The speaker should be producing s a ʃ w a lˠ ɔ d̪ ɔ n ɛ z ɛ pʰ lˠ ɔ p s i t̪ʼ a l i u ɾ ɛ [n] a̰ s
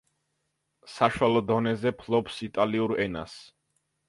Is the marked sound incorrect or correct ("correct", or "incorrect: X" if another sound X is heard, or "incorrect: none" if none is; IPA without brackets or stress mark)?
correct